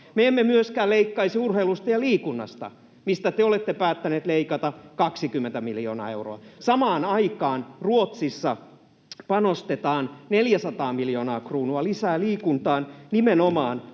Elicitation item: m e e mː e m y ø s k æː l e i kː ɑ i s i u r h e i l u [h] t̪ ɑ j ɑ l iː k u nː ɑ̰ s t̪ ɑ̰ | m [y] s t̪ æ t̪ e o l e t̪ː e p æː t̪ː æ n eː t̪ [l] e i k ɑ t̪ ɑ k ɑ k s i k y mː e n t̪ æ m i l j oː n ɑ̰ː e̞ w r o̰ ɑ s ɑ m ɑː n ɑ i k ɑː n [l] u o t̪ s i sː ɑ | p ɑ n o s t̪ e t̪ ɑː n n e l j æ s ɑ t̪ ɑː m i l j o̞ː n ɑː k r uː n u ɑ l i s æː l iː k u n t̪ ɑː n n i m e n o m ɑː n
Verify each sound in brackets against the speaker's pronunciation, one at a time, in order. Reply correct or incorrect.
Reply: incorrect: s, incorrect: i, correct, incorrect: r

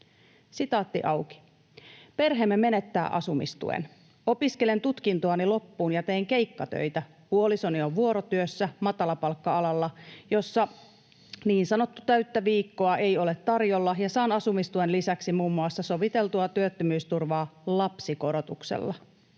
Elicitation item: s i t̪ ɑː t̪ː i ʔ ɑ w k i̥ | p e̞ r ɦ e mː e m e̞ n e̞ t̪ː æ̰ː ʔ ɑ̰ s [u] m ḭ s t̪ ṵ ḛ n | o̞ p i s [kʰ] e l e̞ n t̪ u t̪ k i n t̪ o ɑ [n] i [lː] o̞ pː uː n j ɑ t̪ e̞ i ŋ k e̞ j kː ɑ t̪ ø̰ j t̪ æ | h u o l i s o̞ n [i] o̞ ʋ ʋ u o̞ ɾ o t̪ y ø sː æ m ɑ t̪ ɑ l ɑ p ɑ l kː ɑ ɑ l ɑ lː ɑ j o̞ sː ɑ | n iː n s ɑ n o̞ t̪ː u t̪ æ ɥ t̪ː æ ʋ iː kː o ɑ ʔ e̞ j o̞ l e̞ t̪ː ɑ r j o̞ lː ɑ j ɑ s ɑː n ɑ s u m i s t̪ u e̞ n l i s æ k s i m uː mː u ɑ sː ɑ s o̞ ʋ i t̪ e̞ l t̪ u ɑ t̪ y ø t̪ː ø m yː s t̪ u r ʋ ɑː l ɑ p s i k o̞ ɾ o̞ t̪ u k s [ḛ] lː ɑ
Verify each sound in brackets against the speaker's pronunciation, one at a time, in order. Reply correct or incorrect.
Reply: correct, incorrect: k, correct, incorrect: l, correct, correct

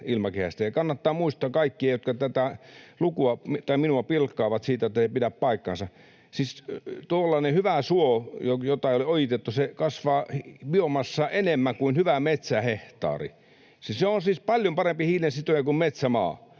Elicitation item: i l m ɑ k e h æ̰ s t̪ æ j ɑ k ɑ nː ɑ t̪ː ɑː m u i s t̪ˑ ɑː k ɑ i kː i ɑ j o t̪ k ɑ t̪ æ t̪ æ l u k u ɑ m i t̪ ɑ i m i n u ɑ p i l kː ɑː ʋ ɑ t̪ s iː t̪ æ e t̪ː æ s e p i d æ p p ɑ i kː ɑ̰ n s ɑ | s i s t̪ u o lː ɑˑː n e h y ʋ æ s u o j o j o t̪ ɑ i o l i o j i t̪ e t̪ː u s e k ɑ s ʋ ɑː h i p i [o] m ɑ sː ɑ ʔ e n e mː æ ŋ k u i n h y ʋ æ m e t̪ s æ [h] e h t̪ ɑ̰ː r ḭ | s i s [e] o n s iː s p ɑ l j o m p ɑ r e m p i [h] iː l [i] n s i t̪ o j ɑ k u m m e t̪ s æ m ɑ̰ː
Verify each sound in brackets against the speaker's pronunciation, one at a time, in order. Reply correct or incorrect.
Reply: correct, correct, correct, correct, incorrect: e

